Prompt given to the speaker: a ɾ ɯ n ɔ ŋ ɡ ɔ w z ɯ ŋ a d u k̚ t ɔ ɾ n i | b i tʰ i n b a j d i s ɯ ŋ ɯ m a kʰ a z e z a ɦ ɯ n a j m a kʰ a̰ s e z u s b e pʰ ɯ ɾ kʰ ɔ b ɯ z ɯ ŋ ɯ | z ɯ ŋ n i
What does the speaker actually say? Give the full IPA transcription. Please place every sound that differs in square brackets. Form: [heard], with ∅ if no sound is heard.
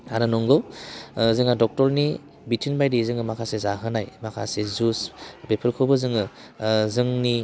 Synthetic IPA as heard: a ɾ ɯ n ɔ ŋ ɡ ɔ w z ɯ ŋ a d [ɔ] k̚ t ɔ ɾ n i | b i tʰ i n b a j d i [z] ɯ ŋ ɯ m a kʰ a [s] e z a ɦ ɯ n a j m a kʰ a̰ s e z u s b e pʰ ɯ ɾ kʰ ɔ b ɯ z ɯ ŋ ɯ | z ɯ ŋ n i